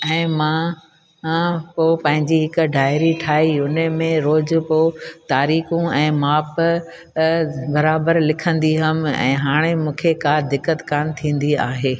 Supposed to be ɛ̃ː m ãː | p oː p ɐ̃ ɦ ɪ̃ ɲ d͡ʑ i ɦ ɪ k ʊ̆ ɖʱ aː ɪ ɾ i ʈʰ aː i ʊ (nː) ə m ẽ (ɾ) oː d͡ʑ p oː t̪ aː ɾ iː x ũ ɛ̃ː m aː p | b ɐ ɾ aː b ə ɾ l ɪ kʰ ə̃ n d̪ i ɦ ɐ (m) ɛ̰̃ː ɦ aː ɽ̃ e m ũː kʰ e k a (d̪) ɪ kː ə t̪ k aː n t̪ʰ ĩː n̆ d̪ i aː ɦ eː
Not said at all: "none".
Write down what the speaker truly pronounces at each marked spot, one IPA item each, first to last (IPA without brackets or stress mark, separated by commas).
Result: n, ɾ, m, d̪